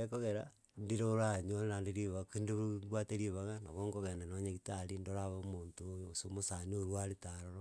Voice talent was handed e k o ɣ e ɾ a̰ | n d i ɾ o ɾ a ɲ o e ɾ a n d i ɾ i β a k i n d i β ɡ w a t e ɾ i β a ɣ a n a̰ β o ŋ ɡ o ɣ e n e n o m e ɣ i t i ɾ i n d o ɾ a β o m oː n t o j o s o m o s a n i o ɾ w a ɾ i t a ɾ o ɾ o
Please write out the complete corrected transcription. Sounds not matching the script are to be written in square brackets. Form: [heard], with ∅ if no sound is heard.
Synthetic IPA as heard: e k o ɣ e ɾ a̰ | n d i ɾ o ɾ a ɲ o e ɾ a n d i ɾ i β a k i n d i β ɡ w a t e ɾ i β a ɣ a n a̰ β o ŋ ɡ o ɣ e n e n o [ɲ] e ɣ i t [a] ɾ i n d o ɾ a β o m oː n t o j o s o m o s a n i o ɾ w a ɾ i t a ɾ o ɾ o